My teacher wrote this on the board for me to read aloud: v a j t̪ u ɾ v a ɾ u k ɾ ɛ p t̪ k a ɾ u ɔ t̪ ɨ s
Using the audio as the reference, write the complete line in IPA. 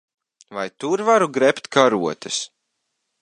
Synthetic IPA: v a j t̪ u ɾ v a ɾ u ɡ ɾ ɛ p t̪ k a ɾ u ɔ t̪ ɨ s